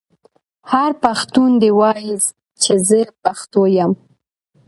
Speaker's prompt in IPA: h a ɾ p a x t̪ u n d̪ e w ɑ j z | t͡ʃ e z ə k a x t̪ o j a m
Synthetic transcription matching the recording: h a ɾ p a x t̪ u n d̪ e w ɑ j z | t͡ʃ e z ə p a x t̪ o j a m